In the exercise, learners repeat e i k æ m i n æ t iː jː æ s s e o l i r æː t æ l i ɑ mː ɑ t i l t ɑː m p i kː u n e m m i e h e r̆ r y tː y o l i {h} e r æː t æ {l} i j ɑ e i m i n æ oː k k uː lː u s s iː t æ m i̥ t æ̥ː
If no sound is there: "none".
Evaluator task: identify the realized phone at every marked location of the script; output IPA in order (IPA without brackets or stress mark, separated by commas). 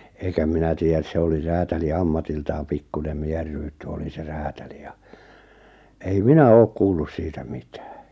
s, l